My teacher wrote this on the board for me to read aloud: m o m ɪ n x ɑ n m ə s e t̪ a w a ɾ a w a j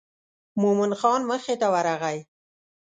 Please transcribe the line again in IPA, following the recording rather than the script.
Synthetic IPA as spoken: m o m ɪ n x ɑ n m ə x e t̪ a w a ɾ a ɣ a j